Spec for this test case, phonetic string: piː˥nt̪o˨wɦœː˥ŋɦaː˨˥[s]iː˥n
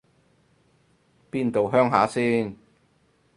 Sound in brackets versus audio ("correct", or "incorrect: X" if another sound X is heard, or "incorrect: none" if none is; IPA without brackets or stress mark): correct